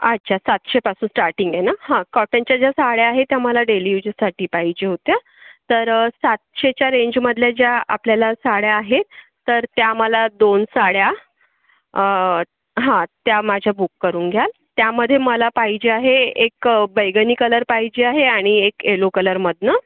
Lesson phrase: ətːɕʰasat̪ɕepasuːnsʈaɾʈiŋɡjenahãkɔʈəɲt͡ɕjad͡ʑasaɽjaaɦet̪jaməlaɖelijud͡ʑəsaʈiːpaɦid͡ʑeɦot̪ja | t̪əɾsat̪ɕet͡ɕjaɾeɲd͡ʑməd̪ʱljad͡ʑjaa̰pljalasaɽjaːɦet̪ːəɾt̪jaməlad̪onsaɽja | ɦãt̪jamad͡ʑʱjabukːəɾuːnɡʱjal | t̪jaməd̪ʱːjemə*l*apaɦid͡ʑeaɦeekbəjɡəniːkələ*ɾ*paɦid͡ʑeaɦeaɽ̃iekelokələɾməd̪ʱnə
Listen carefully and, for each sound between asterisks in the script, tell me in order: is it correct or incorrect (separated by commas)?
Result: correct, correct